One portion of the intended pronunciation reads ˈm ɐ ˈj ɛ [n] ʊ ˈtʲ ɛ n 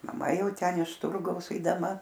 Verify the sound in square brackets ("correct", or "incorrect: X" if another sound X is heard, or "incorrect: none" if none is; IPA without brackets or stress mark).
incorrect: none